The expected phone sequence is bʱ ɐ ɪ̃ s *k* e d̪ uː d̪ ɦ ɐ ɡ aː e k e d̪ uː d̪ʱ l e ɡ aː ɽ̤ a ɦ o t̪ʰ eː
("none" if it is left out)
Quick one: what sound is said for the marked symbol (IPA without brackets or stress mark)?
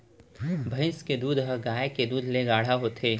k